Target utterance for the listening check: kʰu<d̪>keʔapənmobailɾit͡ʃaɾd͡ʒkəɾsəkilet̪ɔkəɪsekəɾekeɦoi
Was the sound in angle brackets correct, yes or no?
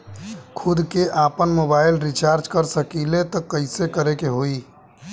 yes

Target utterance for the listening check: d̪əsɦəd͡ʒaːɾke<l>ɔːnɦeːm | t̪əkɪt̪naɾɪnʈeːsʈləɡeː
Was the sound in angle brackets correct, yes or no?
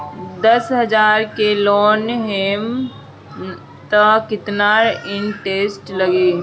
yes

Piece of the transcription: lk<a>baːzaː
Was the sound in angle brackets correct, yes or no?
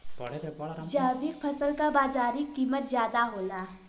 yes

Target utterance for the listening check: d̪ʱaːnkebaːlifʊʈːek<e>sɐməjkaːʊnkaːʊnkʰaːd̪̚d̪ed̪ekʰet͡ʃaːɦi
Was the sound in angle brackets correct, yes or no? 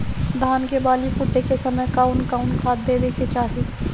yes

